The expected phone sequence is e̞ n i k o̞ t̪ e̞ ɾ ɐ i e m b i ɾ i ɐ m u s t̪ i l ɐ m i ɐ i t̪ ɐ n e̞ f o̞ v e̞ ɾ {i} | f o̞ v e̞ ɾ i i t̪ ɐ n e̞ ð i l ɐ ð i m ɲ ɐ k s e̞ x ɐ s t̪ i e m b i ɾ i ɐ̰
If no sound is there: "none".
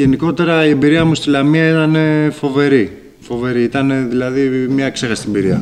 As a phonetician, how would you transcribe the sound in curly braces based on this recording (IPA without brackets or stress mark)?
i